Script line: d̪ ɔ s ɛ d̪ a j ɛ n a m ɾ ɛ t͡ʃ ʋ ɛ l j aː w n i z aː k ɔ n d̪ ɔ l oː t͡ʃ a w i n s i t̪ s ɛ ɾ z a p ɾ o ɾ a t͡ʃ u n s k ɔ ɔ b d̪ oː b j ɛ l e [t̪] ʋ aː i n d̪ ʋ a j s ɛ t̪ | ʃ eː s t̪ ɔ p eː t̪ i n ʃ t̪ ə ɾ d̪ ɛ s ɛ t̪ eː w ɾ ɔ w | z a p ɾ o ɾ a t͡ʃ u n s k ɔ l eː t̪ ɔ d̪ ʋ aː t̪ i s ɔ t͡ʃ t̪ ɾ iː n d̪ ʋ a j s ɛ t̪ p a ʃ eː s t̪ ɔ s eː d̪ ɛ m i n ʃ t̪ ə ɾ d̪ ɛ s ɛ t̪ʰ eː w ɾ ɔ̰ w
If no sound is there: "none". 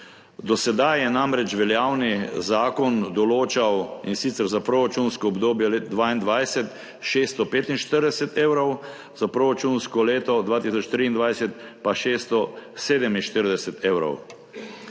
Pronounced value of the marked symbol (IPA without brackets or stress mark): d̪